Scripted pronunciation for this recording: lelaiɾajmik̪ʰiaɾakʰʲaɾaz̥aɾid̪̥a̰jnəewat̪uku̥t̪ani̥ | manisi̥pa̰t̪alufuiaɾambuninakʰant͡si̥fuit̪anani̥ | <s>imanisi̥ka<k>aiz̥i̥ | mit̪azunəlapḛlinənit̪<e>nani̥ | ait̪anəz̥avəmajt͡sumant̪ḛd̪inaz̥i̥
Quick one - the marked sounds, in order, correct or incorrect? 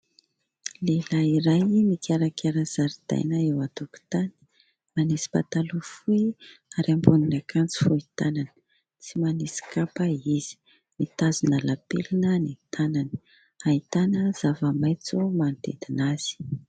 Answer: incorrect: t͡s, incorrect: p, incorrect: a

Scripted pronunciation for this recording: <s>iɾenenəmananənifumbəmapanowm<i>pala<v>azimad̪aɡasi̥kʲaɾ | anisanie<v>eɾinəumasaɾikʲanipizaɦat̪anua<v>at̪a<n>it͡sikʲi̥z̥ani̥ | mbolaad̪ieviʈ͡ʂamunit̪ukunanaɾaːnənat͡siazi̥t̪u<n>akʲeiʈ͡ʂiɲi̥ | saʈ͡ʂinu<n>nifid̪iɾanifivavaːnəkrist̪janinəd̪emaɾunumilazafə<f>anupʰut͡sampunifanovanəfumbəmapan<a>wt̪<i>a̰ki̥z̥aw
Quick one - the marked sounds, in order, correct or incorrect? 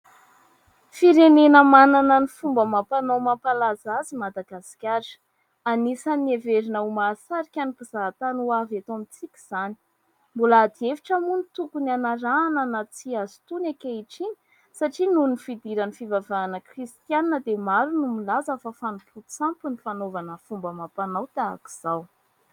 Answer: incorrect: f, incorrect: a, incorrect: z, correct, correct, incorrect: m, correct, correct, correct, correct, incorrect: a

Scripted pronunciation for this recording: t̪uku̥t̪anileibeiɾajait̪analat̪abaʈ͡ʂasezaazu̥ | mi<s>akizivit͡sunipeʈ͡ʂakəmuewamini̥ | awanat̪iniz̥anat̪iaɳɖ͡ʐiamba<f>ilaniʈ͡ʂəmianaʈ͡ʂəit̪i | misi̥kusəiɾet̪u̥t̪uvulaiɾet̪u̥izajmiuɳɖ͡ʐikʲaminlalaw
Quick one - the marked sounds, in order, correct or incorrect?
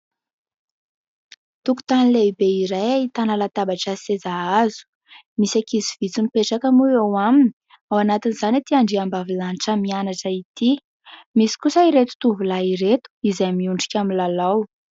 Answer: correct, incorrect: v

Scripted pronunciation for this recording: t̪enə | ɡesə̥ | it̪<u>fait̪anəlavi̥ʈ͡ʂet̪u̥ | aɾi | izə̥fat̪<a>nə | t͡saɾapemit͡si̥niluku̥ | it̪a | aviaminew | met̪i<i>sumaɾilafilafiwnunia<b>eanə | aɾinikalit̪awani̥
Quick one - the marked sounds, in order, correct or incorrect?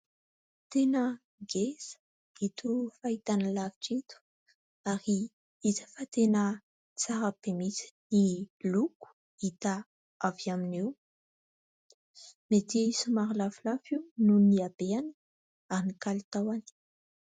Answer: correct, incorrect: e, correct, correct

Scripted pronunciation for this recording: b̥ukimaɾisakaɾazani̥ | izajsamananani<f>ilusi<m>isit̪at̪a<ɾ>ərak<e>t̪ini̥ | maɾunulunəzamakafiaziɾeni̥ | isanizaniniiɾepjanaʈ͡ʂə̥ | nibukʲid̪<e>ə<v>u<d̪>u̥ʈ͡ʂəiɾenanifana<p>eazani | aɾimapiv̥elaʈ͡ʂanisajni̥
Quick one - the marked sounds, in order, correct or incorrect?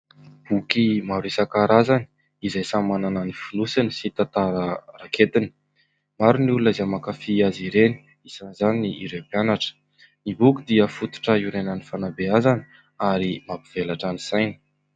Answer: correct, incorrect: n, correct, correct, incorrect: i, incorrect: f, incorrect: t̪, incorrect: b

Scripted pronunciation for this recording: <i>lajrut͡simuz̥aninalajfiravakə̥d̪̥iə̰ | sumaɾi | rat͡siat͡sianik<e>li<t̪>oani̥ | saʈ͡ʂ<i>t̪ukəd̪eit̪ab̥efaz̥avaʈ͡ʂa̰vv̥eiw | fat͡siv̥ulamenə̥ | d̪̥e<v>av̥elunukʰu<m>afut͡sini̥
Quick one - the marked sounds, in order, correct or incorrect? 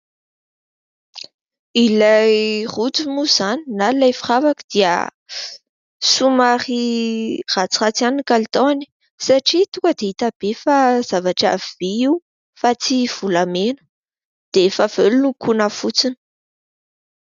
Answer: correct, incorrect: a, correct, correct, incorrect: f, incorrect: n

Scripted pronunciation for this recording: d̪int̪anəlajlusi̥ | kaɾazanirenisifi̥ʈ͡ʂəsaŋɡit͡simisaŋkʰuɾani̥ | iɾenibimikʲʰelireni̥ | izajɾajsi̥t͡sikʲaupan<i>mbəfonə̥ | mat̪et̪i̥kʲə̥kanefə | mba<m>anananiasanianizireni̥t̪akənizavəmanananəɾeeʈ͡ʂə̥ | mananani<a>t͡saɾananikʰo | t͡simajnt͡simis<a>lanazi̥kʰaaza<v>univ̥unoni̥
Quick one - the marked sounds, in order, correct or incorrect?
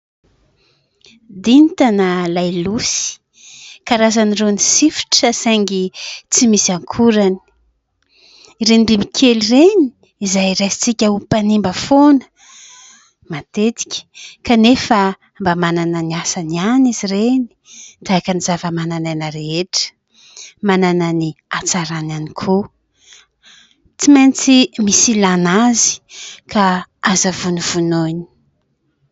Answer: correct, correct, correct, incorrect: i, correct

